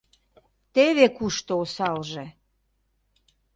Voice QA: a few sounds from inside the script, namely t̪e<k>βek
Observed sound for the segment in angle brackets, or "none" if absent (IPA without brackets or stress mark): none